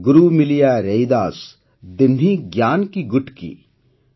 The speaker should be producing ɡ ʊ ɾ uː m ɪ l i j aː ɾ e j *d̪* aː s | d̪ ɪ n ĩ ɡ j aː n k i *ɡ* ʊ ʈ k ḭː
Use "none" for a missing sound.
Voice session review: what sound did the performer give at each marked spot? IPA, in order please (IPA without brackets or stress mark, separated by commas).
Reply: d̪, ɡ